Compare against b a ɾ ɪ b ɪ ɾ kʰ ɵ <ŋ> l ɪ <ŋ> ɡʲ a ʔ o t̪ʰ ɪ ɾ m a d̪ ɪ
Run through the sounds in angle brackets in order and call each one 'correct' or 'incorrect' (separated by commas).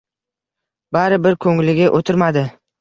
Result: correct, incorrect